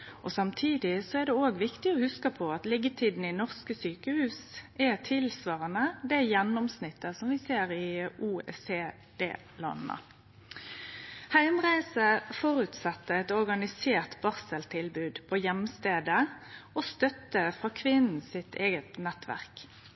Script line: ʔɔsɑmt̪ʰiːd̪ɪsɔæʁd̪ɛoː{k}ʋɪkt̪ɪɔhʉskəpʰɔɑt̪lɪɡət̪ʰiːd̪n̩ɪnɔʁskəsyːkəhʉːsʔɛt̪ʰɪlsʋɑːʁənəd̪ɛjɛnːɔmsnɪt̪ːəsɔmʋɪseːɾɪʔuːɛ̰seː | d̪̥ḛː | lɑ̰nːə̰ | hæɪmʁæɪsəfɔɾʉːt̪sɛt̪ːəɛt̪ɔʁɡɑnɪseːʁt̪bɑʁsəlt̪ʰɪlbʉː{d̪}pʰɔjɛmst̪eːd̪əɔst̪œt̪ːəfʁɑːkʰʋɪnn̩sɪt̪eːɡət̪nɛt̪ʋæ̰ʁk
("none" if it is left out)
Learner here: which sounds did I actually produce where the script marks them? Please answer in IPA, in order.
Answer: ɡ, d̪

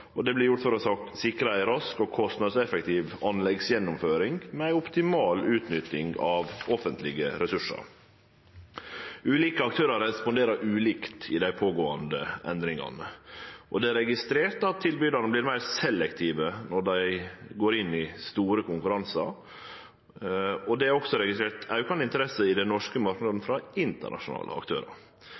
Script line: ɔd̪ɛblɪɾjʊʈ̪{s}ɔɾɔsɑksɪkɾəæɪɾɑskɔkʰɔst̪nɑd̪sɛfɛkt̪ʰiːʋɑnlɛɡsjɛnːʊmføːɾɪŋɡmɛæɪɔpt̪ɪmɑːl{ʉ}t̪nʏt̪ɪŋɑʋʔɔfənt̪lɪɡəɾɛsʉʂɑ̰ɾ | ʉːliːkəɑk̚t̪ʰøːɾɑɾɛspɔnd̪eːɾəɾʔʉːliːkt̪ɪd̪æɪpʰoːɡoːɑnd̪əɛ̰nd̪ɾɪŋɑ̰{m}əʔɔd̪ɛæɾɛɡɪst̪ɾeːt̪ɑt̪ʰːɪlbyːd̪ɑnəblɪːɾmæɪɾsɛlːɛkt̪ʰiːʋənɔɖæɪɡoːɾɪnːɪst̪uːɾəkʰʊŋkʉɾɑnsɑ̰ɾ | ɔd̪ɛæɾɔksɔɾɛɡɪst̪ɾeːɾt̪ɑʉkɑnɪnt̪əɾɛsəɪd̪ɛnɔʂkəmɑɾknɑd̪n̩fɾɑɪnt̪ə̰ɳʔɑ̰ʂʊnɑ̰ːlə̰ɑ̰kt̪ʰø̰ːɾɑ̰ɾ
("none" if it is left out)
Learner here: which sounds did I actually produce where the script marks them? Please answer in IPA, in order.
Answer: f, ʉː, n

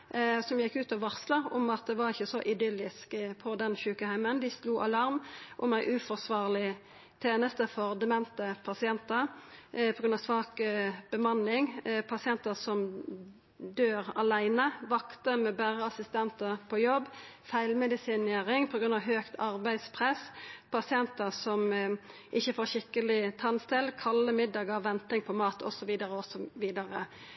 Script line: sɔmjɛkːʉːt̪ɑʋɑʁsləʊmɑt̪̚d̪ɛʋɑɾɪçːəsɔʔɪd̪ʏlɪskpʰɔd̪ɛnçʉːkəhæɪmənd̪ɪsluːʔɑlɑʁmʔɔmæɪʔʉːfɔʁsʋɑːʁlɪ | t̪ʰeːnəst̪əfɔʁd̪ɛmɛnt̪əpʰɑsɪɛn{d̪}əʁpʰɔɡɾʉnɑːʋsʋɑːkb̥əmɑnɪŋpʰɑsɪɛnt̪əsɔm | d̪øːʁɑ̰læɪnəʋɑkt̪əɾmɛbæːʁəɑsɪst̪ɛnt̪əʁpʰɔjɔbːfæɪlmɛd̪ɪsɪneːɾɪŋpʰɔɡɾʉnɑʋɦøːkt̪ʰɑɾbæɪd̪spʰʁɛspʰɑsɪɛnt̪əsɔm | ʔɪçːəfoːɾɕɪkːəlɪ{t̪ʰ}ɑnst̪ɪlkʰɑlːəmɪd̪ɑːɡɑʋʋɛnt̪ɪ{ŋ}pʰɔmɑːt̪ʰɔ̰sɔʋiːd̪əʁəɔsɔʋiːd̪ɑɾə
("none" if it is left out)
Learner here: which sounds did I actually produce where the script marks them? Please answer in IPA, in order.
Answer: t̪, t̪ʰ, ŋ

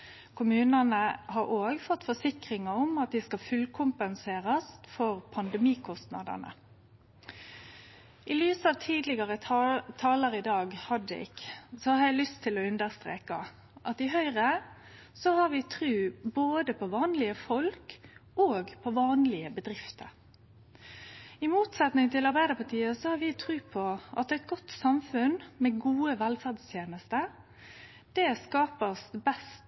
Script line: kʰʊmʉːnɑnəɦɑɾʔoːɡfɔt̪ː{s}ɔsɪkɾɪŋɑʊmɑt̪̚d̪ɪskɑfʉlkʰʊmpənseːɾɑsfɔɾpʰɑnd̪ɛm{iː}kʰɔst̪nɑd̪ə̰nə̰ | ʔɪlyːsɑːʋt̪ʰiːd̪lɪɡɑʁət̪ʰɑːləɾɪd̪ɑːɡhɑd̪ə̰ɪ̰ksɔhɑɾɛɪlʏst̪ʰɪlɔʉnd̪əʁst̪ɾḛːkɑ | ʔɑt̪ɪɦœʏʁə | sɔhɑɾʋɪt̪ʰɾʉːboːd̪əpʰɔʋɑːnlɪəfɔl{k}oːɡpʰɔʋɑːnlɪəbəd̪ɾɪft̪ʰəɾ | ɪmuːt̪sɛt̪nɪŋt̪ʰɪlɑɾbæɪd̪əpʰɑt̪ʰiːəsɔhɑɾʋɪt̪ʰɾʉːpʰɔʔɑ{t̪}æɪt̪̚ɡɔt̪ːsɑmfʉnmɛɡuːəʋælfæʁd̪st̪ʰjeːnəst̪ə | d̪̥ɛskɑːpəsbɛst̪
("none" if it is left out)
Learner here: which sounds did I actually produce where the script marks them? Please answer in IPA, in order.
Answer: f, iː, k, t̪

